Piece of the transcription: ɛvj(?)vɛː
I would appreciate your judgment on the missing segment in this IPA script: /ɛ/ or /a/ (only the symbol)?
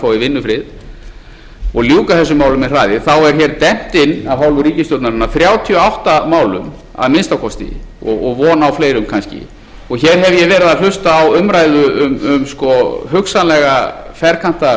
ɛ